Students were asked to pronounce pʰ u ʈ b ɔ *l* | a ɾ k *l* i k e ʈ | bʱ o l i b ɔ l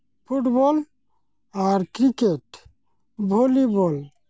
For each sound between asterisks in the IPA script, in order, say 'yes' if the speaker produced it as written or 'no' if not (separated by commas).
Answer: yes, no